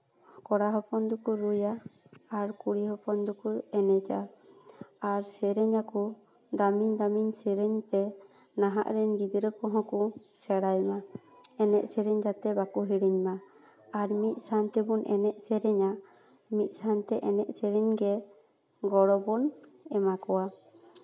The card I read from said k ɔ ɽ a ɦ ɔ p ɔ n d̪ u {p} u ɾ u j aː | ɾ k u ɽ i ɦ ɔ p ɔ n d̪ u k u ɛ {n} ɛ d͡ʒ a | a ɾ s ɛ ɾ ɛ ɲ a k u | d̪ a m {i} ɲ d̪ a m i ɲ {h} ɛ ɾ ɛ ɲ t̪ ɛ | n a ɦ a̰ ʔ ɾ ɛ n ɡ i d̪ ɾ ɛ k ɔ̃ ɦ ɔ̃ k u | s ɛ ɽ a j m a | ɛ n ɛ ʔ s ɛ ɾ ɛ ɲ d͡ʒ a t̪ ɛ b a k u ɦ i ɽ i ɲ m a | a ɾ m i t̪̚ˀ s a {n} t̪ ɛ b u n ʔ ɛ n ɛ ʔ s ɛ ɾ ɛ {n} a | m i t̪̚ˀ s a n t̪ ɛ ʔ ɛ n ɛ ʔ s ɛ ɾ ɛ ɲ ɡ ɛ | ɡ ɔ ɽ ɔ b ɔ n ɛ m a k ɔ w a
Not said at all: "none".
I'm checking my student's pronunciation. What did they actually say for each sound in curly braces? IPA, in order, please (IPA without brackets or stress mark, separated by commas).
k, n, i, s, n, ɲ